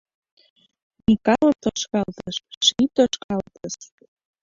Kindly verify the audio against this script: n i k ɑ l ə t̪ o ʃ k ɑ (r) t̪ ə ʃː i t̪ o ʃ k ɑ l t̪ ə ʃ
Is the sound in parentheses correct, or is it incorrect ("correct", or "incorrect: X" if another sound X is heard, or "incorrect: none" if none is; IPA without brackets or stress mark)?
incorrect: l